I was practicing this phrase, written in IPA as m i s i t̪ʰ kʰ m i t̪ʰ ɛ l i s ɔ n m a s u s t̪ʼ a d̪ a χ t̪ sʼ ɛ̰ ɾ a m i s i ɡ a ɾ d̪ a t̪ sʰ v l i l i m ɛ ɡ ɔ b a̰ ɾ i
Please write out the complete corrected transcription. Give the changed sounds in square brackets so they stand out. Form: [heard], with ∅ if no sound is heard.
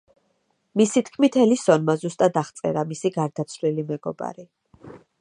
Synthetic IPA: m i s i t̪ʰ kʰ m i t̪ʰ ɛ l i s ɔ n m a [z] u s t̪ʼ a d̪ a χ t̪ sʼ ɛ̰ ɾ a m i s i ɡ a ɾ d̪ a t̪ sʰ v l i l i m ɛ ɡ ɔ b a̰ ɾ i